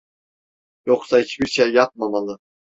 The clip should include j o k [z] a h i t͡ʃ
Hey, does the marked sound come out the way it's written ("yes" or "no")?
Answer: no